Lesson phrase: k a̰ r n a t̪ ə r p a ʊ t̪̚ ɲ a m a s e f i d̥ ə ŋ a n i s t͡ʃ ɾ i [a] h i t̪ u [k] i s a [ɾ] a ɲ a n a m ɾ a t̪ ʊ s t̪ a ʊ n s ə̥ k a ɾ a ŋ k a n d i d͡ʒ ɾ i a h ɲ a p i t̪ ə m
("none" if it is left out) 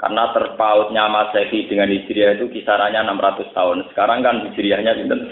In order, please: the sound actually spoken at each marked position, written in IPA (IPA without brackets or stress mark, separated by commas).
a, k, ɾ